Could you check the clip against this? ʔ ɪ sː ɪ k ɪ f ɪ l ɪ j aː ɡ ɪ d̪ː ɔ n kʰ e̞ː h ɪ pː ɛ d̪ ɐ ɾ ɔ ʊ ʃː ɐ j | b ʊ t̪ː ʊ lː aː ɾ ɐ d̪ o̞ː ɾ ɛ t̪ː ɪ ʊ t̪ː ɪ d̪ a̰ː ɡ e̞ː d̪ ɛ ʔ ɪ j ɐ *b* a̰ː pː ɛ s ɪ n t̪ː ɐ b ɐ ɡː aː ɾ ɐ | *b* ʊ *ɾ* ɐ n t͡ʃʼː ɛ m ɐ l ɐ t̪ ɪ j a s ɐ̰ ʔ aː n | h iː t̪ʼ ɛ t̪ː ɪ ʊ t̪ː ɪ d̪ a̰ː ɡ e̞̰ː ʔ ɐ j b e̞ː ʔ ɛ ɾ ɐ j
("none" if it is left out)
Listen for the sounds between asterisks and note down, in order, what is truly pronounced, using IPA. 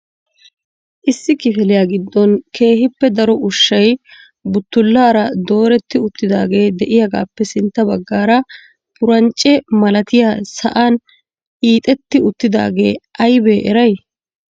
ɡ, p, ɾ

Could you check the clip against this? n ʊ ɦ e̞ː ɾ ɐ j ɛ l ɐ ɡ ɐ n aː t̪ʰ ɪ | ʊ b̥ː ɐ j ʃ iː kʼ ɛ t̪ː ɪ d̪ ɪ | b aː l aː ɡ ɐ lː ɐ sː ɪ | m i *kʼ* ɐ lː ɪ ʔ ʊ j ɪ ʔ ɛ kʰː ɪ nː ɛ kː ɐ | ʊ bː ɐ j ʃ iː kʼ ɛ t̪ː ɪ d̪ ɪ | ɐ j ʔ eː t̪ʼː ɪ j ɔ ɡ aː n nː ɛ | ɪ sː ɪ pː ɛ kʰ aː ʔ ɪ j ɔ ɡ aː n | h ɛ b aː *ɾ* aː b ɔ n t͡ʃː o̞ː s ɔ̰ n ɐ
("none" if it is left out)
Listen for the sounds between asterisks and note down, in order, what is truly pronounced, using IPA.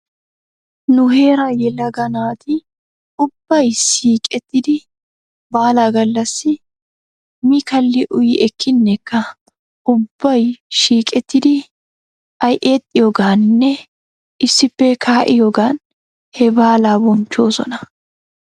k, l

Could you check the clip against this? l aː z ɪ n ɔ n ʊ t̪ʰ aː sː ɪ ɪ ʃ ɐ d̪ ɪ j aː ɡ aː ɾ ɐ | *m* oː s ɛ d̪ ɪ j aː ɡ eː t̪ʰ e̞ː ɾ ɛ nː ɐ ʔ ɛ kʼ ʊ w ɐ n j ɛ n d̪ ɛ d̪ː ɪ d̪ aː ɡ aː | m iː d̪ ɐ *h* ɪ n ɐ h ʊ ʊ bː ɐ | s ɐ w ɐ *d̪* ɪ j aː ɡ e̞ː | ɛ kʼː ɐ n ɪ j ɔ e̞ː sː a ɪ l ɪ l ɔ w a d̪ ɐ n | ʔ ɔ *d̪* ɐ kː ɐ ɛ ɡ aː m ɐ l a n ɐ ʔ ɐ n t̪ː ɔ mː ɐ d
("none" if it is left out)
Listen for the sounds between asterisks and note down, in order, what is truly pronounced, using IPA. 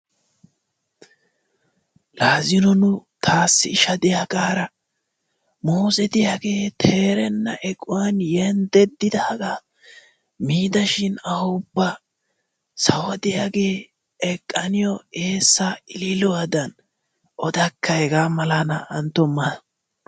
m, ʃ, d̪, d̪

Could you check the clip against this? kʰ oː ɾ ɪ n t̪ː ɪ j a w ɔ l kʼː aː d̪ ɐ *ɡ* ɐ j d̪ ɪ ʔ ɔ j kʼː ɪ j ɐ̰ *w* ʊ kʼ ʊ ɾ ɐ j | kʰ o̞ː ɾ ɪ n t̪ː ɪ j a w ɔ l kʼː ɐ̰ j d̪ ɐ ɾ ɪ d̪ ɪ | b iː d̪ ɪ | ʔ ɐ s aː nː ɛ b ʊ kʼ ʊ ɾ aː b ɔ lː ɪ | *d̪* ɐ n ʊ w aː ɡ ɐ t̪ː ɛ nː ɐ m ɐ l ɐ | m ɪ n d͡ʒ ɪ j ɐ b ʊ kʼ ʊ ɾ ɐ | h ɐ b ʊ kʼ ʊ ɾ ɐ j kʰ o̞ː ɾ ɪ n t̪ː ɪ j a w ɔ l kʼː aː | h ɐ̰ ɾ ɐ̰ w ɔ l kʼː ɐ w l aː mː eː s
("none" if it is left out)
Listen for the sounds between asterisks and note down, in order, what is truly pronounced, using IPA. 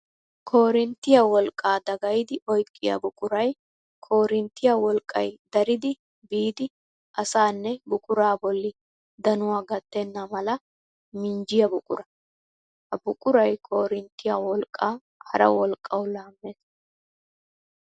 ɡ, b, d̪

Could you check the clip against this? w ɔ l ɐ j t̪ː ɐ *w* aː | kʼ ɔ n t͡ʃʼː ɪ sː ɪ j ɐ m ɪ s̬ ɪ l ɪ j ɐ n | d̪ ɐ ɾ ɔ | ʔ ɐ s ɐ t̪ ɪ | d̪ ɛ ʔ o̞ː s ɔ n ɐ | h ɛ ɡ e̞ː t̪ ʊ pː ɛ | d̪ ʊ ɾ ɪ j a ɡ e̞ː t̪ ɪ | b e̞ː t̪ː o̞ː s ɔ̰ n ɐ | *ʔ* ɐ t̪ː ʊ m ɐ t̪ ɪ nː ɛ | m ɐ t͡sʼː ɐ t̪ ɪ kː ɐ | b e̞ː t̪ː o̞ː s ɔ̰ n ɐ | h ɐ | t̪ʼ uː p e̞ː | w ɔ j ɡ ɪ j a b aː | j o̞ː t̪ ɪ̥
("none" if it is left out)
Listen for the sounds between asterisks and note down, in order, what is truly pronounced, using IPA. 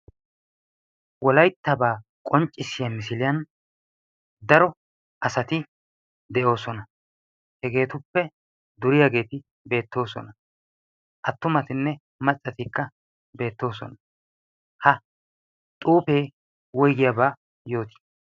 b, ʔ

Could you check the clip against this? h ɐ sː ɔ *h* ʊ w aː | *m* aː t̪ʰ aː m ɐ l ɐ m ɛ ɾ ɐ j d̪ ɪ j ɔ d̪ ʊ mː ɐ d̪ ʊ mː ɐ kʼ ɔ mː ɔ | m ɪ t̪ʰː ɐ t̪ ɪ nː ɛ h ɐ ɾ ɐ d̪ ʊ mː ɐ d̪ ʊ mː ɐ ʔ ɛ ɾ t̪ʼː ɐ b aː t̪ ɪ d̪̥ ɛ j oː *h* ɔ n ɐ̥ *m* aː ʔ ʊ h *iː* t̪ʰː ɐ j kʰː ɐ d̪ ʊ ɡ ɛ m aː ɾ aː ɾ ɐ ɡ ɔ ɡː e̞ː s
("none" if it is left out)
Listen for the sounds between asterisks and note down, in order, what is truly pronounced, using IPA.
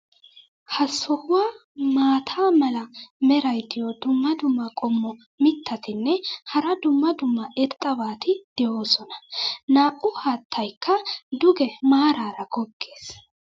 h, m, s, n, aː

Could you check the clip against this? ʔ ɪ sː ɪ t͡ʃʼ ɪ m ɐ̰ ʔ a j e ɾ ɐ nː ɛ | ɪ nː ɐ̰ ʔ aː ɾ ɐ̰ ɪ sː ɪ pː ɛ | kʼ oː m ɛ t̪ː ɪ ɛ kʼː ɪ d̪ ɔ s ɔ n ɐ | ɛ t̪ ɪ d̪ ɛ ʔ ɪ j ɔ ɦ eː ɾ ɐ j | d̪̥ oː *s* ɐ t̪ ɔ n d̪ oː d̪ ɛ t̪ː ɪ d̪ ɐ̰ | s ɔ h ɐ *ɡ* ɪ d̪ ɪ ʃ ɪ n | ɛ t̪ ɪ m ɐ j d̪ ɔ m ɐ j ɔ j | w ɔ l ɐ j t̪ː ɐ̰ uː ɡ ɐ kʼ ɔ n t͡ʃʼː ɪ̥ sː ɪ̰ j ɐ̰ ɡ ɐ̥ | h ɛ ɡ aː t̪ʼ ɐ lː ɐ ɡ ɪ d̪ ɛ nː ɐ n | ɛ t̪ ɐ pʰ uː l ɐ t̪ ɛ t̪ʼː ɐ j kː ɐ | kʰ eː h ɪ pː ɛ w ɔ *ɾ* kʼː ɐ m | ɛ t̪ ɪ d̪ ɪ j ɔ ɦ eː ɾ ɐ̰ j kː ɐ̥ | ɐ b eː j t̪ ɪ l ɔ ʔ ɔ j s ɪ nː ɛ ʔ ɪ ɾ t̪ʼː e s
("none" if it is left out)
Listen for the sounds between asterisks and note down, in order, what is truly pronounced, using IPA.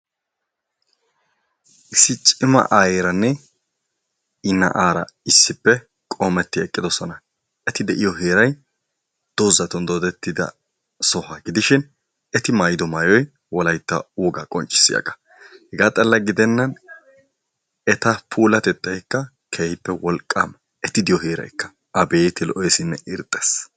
z, ɡ, l

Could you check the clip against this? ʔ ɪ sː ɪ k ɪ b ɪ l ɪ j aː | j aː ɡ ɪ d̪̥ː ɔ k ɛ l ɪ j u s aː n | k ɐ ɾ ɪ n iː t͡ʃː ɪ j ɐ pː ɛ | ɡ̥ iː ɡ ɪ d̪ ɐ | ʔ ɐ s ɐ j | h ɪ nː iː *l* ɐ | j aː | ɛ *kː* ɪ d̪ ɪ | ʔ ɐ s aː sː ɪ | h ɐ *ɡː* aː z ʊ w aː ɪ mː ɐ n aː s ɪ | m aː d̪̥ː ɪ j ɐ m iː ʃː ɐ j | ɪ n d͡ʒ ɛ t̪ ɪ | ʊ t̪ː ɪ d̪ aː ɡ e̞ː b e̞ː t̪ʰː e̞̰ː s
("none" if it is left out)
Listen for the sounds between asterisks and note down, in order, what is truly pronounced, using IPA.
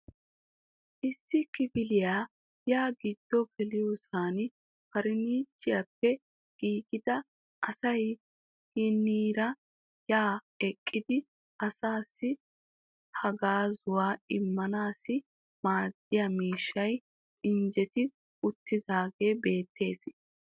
ɾ, kʼː, ɡ

